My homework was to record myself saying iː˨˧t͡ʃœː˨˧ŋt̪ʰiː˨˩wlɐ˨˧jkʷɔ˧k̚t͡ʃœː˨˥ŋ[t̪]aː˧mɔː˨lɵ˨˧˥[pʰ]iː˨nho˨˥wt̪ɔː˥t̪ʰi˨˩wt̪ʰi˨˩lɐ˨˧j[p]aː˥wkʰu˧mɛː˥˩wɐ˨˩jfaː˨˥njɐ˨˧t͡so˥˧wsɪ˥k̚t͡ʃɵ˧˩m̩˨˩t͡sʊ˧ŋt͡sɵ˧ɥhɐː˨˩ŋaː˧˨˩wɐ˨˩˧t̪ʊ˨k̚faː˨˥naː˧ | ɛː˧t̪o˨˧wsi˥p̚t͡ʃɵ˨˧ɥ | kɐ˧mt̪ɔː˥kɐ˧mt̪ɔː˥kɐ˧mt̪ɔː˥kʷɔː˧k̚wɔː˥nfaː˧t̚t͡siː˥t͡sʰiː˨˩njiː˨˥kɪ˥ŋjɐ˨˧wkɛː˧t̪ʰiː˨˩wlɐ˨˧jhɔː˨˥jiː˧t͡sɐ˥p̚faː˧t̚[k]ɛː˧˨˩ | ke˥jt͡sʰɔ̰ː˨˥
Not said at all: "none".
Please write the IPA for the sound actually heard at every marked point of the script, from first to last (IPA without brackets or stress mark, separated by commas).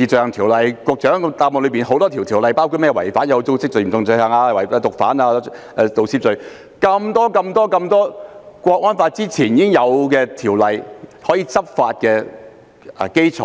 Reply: t̪, p, p, k